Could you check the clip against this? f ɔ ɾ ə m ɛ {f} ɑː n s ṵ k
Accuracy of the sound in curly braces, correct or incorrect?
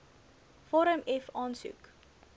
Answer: correct